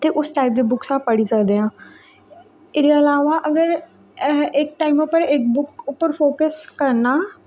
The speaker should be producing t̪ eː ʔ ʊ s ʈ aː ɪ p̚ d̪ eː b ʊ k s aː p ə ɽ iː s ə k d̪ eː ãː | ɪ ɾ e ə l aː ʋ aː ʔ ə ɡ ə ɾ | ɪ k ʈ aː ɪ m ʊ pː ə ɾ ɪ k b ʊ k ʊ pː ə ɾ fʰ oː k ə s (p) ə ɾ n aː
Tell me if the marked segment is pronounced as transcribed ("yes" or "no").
no